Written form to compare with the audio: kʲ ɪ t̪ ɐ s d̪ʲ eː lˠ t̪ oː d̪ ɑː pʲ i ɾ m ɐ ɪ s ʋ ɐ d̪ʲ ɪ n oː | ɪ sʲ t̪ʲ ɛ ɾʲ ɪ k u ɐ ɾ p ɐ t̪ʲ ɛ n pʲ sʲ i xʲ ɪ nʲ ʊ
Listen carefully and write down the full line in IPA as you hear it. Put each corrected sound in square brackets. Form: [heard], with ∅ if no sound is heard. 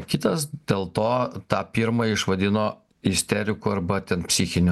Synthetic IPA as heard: kʲ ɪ t̪ ɐ s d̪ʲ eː lˠ t̪ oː [t̪] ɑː pʲ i ɾ m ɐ ɪ [ʃ] ʋ ɐ d̪ʲ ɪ n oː | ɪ sʲ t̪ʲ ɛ ɾʲ ɪ k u ɐ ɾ [b] ɐ t̪ʲ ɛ n pʲ sʲ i xʲ ɪ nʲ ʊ

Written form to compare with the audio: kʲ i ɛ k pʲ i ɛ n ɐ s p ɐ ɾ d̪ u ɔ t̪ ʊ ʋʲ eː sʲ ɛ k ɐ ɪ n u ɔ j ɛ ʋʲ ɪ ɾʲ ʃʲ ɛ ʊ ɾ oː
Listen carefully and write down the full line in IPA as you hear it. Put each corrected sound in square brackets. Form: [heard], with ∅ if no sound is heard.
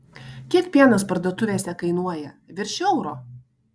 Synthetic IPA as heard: kʲ i ɛ k pʲ i ɛ n ɐ s p ɐ ɾ d̪ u ɔ t̪ ʊ ʋʲ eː sʲ ɛ k ɐ ɪ n u ɔ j ɛ ʋʲ ɪ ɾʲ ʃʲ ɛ ʊ ɾ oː

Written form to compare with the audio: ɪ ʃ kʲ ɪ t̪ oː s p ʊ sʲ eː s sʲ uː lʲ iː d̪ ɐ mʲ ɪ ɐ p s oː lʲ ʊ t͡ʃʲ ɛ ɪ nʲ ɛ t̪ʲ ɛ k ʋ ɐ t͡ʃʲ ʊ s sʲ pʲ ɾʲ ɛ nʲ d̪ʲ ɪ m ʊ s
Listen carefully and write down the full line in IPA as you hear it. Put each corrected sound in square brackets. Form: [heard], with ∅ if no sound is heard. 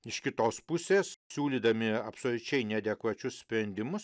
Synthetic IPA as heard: ɪ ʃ kʲ ɪ t̪ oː s p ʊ sʲ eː s sʲ uː lʲ iː d̪ ɐ mʲ ɪ ɐ p s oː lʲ ʊ t͡ʃʲ ɛ ɪ nʲ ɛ [d̪ʲ] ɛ k ʋ ɐ t͡ʃʲ ʊ s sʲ pʲ ɾʲ ɛ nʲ d̪ʲ ɪ m ʊ s

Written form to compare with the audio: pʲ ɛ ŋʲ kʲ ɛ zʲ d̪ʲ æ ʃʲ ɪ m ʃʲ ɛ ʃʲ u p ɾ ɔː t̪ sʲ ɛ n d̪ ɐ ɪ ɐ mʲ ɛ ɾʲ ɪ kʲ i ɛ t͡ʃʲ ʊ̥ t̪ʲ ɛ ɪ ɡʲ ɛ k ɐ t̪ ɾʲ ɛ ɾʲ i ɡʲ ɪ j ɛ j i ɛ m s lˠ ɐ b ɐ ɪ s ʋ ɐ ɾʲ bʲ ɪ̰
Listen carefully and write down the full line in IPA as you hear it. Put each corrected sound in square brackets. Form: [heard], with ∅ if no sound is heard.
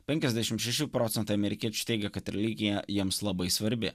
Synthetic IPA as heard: pʲ ɛ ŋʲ kʲ ɛ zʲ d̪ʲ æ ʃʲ ɪ m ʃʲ ɛ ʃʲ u p ɾ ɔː t̪ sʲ ɛ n [t̪] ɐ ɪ ɐ mʲ ɛ ɾʲ ɪ kʲ i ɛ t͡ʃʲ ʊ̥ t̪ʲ ɛ ɪ ɡʲ ɛ k ɐ t̪ ɾʲ ɛ [lʲ] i ɡʲ ɪ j ɛ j i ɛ m s lˠ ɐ b ɐ ɪ s ʋ ɐ ɾʲ bʲ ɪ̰

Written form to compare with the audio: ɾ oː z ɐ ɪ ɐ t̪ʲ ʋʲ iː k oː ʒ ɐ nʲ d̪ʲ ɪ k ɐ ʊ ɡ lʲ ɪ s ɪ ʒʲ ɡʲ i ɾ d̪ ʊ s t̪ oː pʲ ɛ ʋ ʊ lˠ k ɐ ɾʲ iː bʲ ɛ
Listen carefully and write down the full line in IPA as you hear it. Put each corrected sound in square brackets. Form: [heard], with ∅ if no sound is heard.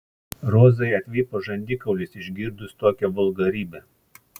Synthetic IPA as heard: ɾ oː z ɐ ɪ ɐ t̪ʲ ʋʲ iː [p] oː ʒ ɐ nʲ d̪ʲ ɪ k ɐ ʊ [∅] lʲ ɪ s ɪ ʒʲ ɡʲ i ɾ d̪ ʊ s t̪ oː [kʲ] ɛ ʋ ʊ lˠ [ɡ] ɐ ɾʲ iː bʲ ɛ

